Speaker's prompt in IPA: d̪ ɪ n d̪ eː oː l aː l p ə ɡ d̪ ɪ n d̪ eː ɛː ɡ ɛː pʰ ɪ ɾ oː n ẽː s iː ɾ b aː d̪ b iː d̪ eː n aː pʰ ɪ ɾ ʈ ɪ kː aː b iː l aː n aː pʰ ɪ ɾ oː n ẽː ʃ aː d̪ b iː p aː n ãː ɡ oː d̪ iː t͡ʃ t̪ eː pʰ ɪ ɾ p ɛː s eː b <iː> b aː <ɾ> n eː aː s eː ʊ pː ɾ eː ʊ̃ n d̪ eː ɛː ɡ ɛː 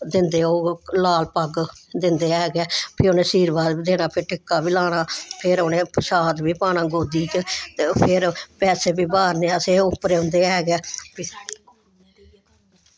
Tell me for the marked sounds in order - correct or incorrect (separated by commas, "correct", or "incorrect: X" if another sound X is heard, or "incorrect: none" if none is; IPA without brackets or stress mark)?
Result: correct, correct